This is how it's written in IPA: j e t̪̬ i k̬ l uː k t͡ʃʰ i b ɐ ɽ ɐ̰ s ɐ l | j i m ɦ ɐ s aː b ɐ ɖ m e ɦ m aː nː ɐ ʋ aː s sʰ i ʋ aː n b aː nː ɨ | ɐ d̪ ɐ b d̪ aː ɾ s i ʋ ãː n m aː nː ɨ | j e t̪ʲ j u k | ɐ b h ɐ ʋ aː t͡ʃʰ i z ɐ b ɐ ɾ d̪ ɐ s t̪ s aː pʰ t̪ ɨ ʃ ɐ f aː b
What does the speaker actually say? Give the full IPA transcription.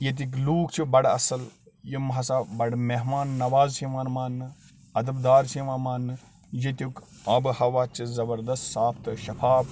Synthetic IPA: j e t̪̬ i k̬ l uː k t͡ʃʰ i b ɐ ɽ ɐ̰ s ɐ l | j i m ɦ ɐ s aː b ɐ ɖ m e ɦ m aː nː ɐ ʋ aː z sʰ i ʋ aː n m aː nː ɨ | ɐ d̪ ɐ b d̪ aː ɾ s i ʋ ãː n m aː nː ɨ | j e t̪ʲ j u k | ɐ b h ɐ ʋ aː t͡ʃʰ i z ɐ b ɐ ɾ d̪ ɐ s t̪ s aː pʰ t̪ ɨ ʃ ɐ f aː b

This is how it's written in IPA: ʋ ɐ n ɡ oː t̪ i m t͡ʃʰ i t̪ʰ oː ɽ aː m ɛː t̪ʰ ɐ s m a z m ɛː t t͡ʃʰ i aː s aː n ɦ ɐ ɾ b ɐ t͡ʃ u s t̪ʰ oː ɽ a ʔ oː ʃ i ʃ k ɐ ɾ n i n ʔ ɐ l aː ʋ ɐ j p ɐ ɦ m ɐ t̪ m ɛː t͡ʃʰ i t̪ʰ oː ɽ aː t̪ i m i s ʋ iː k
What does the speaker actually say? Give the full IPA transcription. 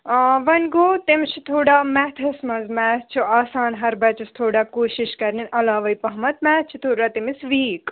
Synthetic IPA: ʋ ɐ n ɡ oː t̪ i m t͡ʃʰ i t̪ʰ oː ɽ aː m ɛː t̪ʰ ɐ s m ɐ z m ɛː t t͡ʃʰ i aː s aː n ɦ ɐ ɾ b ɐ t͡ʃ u s t̪ʰ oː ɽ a k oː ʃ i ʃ k ɐ ɾ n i n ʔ ɐ l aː ʋ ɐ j p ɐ ɦ m ɐ t̪ m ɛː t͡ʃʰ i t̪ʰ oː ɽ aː t̪ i m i s ʋ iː k

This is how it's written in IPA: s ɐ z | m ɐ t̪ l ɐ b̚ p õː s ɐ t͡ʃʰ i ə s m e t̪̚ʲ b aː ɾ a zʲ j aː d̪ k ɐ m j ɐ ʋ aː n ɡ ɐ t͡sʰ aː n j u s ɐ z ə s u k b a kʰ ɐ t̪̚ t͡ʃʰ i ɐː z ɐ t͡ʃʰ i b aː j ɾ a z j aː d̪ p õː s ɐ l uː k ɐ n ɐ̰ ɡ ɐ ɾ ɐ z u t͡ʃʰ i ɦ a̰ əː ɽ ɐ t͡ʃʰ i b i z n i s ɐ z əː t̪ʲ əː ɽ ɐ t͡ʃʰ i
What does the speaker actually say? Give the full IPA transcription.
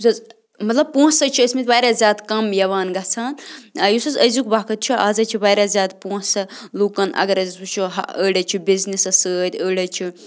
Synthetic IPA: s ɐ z | m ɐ t̪ l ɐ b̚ p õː s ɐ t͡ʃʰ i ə s m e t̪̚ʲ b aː ɾ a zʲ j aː d̪ k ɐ m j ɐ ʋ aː n ɡ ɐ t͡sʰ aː n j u s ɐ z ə z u k b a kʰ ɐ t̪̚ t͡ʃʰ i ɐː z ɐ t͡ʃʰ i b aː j ɾ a z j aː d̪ p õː s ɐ l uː k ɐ n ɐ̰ ɡ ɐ ɾ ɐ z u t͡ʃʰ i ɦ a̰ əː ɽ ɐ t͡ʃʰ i b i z n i s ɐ s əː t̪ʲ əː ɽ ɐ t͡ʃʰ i

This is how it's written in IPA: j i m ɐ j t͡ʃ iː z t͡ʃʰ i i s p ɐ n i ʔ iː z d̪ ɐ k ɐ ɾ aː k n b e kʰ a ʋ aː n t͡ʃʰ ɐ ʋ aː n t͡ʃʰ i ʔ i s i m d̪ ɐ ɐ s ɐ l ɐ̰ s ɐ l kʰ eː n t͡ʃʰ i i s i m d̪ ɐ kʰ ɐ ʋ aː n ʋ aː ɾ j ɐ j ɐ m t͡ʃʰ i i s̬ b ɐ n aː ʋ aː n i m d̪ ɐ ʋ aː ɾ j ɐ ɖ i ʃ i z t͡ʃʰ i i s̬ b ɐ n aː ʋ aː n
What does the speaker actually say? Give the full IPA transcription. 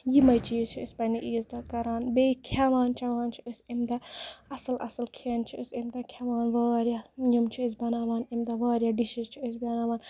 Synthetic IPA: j i m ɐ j t͡ʃ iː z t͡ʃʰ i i s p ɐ n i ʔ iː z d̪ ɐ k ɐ ɾ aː n b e kʰ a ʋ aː n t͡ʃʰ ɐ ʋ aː n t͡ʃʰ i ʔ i s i m d̪ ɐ ɐ s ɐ l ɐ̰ s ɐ l kʰ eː n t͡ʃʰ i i s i m d̪ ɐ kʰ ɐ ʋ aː n ʋ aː ɾ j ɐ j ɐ m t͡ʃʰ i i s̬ b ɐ n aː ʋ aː n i m d̪ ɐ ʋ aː ɾ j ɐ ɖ i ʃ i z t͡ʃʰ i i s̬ b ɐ n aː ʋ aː n

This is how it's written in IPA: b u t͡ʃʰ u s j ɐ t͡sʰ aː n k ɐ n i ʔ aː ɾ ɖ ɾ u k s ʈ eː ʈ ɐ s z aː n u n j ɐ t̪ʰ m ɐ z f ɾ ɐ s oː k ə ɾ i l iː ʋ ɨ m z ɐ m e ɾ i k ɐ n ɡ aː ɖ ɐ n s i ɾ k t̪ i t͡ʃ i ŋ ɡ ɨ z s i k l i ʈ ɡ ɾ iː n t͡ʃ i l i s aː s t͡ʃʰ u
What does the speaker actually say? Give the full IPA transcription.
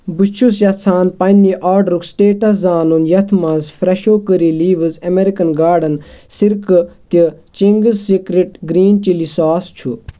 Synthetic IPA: b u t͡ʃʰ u s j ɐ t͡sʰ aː n p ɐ n i ʔ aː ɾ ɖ ɾ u k s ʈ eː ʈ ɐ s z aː n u n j ɐ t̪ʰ m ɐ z f ɾ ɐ ʃ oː k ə ɾ i l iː ʋ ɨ z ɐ m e ɾ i k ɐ n ɡ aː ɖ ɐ n s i ɾ k t̪ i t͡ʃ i ŋ ɡ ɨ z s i k ɾ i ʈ ɡ ɾ iː n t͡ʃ i l i s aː s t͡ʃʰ u

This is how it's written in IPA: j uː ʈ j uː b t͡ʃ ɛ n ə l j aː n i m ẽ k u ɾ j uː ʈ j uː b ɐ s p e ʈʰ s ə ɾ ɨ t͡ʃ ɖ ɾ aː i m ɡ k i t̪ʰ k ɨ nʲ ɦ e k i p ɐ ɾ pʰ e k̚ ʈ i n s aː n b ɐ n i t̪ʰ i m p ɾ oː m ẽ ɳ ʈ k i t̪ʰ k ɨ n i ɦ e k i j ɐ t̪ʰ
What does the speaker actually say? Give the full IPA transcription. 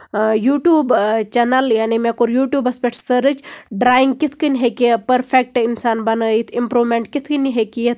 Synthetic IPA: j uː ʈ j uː b t͡ʃ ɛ n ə l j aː n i m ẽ k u ɾ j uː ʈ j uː b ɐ s p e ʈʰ s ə ɾ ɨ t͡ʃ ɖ ɾ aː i ŋ ɡ k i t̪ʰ k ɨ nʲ ɦ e k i p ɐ ɾ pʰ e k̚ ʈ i n s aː n b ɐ n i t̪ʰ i m p ɾ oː m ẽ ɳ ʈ k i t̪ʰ k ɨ n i ɦ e k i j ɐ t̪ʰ

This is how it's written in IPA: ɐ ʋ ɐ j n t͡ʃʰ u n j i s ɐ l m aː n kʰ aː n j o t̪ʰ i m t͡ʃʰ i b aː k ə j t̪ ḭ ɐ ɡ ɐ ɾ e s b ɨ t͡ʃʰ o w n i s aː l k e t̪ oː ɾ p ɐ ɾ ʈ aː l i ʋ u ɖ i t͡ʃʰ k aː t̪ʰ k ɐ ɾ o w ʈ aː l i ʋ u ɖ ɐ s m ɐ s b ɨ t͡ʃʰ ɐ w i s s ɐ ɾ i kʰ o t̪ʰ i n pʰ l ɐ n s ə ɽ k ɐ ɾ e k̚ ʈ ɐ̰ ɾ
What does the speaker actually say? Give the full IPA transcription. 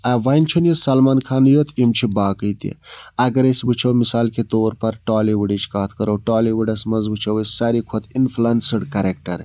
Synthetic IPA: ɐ ʋ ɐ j n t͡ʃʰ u n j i s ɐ l m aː n kʰ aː n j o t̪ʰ i m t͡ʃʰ i b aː k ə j t̪ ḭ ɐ ɡ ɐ ɾ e s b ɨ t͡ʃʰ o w m i s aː l k e t̪ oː ɾ p ɐ ɾ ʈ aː l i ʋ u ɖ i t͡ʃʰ k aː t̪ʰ k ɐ ɾ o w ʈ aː l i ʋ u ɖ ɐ s m ɐ z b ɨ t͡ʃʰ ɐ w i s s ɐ ɾ i kʰ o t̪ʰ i n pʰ l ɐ n s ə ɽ k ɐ ɾ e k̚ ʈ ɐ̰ ɾ

